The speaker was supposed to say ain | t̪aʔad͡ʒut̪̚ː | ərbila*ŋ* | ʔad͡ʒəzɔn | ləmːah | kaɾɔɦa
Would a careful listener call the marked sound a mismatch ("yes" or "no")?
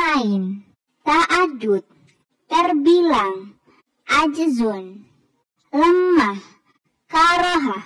no